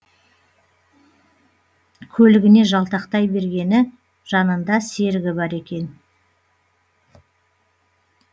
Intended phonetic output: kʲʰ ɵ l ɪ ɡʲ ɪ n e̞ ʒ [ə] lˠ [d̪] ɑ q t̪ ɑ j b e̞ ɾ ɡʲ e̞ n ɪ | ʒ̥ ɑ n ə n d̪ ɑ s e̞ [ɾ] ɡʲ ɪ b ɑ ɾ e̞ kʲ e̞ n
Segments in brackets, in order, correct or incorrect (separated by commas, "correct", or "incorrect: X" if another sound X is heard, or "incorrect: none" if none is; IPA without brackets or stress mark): incorrect: ɑ, incorrect: t̪, correct